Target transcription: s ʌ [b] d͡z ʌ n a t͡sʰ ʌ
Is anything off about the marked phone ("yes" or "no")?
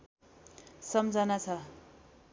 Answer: yes